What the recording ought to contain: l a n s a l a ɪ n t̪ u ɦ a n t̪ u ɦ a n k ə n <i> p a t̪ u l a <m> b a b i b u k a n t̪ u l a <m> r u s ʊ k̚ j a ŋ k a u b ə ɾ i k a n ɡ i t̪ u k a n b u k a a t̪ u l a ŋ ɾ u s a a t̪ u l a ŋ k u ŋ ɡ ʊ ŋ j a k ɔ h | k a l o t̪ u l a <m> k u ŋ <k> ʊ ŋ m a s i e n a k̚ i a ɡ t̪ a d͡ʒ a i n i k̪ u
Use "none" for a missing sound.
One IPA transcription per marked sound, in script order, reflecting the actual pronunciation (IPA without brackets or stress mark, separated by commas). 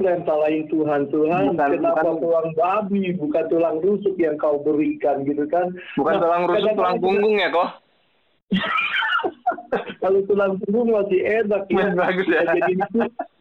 a, ŋ, ŋ, ŋ, ɡ